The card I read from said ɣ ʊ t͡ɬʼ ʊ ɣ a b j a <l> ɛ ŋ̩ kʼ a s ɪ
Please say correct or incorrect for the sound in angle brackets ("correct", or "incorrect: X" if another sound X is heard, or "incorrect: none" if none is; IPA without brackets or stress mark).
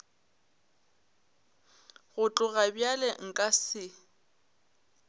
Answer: correct